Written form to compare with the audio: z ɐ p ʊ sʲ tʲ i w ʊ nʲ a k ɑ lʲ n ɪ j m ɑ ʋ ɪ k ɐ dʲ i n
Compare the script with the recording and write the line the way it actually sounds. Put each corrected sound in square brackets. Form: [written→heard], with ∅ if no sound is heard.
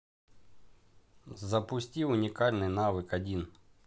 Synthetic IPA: z ɐ p ʊ sʲ tʲ i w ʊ nʲ [a→i] k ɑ lʲ n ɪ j [m→n] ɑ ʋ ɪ k ɐ dʲ i n